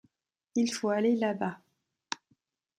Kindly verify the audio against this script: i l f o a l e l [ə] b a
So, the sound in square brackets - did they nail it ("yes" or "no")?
no